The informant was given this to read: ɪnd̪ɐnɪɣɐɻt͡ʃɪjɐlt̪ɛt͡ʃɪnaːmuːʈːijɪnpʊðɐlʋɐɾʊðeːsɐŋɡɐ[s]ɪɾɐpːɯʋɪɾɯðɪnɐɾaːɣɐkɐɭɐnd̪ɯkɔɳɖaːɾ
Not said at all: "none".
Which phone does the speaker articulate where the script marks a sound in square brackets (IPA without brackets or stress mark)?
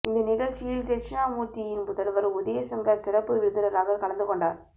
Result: s